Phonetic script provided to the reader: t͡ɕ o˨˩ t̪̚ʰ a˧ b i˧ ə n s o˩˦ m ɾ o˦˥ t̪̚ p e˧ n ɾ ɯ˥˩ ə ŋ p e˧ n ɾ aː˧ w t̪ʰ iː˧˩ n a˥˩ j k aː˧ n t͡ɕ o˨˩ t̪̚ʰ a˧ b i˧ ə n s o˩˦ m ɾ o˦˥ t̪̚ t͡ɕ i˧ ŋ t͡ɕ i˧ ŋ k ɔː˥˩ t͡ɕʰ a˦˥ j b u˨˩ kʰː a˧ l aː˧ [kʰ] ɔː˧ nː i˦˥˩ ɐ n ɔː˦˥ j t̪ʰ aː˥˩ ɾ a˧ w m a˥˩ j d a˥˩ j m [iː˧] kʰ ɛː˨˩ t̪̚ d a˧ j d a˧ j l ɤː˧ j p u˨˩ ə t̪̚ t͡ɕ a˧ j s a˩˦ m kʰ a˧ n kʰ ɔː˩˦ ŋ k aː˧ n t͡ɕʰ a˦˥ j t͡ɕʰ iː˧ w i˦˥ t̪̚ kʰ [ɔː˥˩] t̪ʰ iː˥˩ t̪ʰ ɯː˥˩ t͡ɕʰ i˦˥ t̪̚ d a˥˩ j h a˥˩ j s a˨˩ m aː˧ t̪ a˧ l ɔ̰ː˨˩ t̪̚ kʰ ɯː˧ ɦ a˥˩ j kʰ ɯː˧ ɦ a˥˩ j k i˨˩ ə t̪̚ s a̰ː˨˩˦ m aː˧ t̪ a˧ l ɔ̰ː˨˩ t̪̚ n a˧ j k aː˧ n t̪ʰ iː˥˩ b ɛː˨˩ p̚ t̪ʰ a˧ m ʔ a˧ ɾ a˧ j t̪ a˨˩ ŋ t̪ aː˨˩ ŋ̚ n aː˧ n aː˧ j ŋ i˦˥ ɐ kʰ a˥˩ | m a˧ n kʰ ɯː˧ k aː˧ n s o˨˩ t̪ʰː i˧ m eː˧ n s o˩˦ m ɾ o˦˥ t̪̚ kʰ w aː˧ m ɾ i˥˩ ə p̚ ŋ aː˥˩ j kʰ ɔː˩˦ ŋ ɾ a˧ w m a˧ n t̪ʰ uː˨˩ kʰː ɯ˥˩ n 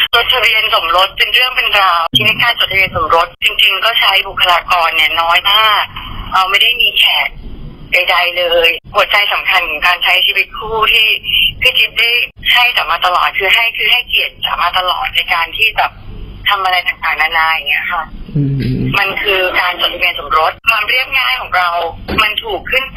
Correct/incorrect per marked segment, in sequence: incorrect: k, correct, incorrect: uː˥˩

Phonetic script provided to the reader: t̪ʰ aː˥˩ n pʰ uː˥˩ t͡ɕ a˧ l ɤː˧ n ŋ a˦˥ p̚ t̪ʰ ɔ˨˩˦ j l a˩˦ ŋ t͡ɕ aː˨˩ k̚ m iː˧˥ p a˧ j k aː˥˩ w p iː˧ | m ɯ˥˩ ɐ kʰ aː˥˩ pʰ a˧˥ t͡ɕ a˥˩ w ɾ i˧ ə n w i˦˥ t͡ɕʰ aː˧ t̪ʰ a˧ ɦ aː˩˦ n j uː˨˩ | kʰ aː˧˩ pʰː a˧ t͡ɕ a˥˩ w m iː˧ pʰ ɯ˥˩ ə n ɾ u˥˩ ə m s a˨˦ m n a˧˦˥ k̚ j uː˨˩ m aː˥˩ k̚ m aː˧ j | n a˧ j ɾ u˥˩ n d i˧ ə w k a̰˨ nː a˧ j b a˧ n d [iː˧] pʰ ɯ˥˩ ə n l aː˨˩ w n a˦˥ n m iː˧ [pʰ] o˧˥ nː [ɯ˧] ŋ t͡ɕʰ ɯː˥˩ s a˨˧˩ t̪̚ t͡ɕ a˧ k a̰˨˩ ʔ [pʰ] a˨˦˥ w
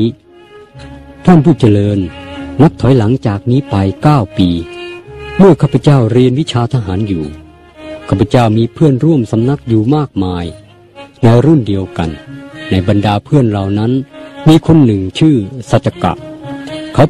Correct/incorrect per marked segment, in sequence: incorrect: aː˧, incorrect: kʰ, incorrect: ɯ˨˩, incorrect: kʰ

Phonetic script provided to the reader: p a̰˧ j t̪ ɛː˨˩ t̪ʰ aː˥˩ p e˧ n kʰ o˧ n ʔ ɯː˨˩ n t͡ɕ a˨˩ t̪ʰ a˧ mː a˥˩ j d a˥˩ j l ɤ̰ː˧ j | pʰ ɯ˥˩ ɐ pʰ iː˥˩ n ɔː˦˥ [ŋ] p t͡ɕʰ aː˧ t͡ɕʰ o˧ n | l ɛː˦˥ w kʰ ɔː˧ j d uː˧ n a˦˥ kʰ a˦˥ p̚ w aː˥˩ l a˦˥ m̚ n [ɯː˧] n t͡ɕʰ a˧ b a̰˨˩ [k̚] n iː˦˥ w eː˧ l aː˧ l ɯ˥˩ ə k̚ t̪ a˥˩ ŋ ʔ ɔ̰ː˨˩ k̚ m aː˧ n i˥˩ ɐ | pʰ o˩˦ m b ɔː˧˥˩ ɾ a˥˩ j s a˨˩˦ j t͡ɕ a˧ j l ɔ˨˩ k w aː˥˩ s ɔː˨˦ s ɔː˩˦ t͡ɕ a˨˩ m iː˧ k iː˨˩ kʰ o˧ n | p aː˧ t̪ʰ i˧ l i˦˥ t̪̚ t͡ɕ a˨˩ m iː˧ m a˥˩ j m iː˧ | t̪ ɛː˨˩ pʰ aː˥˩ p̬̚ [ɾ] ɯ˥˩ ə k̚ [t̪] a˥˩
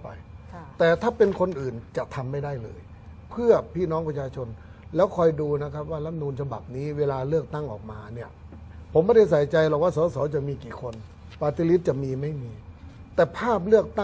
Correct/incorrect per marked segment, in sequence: correct, incorrect: uː˧, incorrect: p̚, incorrect: l, correct

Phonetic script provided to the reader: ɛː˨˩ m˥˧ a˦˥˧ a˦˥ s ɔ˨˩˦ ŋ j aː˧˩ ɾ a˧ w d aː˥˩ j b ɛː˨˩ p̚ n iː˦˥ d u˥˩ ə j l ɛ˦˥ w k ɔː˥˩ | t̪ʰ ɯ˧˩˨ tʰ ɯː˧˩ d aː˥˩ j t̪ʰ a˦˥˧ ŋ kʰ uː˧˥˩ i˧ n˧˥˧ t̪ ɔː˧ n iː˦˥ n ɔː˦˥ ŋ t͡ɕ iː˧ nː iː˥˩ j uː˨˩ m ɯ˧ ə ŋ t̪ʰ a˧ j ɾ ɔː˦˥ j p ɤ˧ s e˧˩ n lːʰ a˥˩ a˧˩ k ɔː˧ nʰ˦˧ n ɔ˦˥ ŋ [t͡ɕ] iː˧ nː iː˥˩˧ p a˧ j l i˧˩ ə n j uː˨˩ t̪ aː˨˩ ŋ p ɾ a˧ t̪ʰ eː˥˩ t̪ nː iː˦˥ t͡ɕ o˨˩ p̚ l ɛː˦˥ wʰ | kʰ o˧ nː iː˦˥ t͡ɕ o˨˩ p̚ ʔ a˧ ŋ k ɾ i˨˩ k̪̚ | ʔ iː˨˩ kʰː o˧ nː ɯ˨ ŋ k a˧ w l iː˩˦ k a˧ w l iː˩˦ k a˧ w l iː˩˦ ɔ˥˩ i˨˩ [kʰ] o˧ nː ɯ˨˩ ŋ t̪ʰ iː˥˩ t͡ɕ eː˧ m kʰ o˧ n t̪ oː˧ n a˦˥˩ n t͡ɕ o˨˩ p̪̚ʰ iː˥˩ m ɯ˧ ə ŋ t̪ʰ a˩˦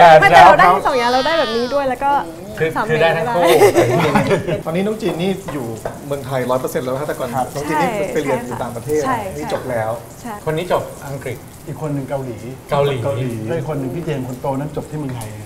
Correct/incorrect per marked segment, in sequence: correct, correct

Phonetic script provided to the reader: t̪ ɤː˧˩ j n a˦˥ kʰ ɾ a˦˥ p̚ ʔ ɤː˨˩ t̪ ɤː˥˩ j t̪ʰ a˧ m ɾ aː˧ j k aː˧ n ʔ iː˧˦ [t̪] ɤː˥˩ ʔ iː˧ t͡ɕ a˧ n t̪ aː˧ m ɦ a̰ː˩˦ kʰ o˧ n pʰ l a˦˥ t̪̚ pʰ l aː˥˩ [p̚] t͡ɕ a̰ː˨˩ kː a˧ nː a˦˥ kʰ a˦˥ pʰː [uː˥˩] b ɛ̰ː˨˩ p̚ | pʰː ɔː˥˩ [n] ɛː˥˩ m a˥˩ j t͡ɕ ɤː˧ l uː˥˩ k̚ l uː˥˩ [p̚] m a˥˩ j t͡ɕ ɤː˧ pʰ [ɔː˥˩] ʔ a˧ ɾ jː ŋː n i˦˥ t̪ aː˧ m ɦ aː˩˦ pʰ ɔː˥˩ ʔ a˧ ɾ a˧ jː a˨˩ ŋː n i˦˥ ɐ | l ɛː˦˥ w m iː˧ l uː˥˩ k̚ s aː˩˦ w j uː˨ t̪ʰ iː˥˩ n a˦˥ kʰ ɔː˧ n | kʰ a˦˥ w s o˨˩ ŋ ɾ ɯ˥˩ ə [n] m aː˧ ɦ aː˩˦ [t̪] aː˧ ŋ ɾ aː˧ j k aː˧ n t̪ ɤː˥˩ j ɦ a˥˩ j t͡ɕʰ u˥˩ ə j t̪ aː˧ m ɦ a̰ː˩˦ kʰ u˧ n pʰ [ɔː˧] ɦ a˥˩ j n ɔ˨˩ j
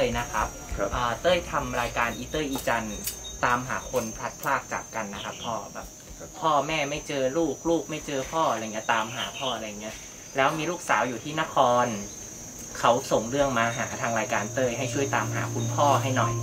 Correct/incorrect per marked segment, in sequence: correct, incorrect: k̚, incorrect: ɔː˥˩, incorrect: m, incorrect: k̚, correct, incorrect: ŋ, incorrect: t̪ʰ, incorrect: ɔː˥˩

